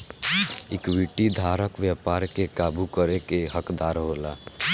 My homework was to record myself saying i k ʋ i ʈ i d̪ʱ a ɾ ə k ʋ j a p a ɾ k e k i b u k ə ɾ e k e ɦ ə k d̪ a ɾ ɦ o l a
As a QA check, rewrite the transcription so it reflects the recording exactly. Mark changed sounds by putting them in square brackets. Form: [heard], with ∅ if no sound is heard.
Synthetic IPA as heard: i k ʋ i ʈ i d̪ʱ a ɾ ə k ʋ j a p a ɾ k e k [a] b u k ə ɾ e k e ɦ ə k d̪ a ɾ ɦ o l a